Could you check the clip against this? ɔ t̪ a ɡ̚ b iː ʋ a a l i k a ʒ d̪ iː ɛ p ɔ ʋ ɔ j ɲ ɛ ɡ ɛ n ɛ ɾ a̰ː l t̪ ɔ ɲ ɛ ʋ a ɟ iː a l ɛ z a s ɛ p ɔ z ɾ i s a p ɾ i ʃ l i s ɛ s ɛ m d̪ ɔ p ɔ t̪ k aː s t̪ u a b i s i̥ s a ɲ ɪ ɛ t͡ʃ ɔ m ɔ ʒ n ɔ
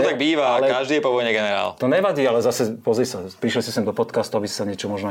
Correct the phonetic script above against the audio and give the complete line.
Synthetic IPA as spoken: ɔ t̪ a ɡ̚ b iː ʋ a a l ɛ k a ʒ d̪ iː ɛ p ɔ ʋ ɔ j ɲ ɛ ɡ ɛ n ɛ ɾ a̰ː l t̪ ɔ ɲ ɛ ʋ a ɟ iː a l ɛ z a s ɛ p ɔ z ɾ i s a p ɾ i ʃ l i s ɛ s ɛ m d̪ ɔ p ɔ t̪ k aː s t̪ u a b i s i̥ s a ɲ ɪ ɛ t͡ʃ ɔ m ɔ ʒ n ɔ